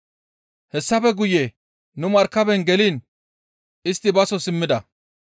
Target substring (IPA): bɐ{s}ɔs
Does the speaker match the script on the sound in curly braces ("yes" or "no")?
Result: yes